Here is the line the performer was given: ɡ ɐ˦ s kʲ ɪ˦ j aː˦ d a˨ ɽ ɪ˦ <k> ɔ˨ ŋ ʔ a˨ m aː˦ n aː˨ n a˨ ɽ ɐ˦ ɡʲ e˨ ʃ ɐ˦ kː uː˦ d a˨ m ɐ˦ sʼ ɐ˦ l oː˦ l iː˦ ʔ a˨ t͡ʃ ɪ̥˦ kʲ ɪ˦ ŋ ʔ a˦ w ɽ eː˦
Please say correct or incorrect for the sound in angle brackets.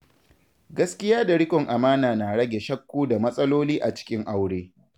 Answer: correct